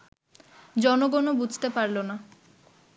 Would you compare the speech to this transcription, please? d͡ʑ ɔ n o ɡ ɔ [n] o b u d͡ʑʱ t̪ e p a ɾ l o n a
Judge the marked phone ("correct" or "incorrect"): correct